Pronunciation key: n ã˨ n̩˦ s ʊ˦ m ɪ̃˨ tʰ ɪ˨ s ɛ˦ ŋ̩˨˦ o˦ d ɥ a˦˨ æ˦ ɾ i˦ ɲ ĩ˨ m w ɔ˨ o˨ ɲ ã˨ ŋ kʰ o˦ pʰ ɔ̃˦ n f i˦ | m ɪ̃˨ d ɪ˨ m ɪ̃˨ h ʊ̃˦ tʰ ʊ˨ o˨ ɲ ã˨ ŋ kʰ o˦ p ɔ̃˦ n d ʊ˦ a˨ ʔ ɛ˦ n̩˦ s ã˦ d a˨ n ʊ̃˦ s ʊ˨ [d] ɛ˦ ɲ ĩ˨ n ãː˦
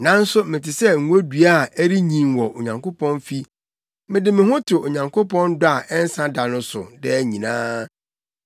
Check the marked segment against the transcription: correct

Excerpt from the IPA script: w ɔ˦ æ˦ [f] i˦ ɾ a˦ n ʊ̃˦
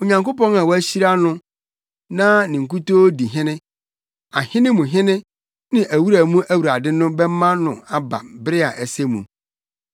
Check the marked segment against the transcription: incorrect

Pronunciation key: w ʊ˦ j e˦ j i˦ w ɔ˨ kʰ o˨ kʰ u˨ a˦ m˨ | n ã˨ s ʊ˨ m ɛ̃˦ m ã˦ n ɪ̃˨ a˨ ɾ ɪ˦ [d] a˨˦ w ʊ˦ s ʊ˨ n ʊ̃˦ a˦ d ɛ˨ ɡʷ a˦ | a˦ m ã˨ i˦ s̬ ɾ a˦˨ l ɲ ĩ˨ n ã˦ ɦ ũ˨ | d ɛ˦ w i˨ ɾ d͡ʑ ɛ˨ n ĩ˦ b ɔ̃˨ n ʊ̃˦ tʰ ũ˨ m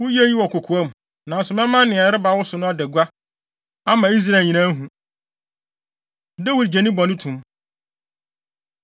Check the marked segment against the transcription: incorrect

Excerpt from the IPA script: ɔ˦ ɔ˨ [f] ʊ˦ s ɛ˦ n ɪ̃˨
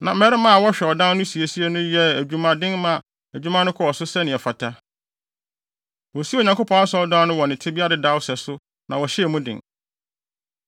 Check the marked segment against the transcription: incorrect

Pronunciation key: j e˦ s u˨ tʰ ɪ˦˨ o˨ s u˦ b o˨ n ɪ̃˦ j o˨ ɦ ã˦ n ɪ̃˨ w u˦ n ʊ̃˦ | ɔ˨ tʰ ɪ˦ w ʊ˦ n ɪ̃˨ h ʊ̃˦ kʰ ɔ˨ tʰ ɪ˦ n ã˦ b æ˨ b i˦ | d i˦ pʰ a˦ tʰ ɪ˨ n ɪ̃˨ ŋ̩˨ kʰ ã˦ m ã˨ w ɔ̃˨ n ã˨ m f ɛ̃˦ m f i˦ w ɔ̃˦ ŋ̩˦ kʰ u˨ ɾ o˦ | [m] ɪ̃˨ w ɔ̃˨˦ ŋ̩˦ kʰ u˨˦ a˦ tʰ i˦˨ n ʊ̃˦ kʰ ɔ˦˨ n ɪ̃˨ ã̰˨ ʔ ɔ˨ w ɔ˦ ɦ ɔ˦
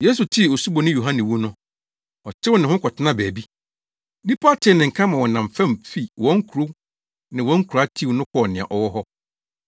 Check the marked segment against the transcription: incorrect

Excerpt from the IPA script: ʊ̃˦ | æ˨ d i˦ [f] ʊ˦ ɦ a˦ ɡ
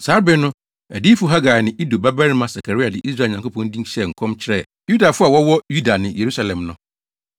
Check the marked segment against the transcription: correct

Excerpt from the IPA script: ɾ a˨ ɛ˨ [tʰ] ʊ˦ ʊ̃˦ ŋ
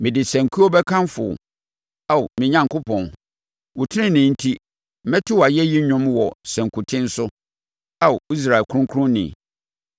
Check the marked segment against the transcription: incorrect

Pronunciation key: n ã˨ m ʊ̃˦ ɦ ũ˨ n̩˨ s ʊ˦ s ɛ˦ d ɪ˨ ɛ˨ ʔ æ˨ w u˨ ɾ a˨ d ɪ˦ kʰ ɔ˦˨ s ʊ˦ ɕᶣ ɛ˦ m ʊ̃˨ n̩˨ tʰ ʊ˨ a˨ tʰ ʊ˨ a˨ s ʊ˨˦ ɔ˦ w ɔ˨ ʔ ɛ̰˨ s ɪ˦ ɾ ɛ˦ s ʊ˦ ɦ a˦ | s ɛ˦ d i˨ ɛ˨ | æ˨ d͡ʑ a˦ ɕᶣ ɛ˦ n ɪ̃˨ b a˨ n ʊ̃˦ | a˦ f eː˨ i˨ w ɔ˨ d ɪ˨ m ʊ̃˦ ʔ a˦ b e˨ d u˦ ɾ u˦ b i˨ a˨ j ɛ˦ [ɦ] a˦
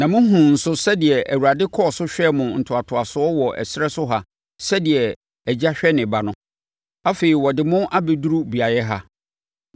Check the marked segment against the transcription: correct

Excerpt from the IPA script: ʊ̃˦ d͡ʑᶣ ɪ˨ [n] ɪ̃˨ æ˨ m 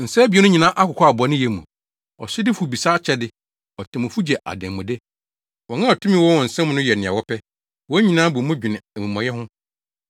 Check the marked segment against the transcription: correct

